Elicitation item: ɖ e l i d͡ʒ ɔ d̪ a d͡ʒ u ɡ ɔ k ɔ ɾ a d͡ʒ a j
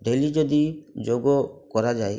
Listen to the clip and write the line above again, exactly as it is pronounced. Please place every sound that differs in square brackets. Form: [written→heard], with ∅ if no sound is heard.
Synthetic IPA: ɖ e l i d͡ʒ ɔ d̪ [a→i] d͡ʒ [u→o] ɡ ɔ k ɔ ɾ a d͡ʒ a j